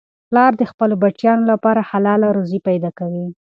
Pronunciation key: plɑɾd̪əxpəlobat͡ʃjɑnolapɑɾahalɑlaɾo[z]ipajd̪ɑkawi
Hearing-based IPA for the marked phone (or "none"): z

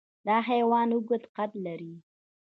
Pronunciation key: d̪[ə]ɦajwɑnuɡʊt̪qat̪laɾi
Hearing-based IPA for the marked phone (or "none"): ɑ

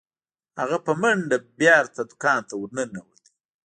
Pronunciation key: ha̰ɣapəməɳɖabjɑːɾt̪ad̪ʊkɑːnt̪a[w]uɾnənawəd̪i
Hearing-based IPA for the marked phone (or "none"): w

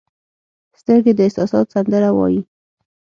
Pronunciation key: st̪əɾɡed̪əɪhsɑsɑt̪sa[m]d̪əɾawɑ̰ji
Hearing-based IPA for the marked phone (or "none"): n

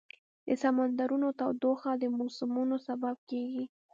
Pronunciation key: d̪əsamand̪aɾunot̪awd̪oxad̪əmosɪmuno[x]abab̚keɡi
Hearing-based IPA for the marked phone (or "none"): s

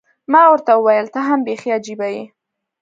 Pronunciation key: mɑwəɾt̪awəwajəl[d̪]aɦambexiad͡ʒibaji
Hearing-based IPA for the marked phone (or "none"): t̪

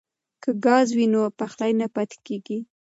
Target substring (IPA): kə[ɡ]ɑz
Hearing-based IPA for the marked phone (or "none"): ɡ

